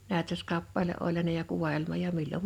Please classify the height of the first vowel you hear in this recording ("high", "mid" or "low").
low